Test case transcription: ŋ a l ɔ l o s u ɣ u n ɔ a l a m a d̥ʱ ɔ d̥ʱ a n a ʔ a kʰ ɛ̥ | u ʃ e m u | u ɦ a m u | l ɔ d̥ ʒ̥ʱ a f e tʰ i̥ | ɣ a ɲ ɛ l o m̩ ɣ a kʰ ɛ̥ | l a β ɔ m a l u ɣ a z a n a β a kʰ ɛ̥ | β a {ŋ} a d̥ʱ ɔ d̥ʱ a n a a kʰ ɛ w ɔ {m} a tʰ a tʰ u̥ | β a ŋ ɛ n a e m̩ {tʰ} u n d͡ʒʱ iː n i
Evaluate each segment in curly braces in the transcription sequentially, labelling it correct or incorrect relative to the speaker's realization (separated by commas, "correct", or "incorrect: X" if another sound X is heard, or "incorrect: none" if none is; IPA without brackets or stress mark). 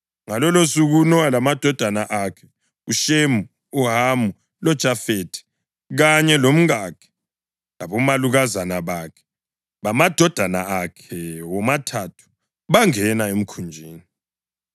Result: incorrect: m, correct, incorrect: kʰ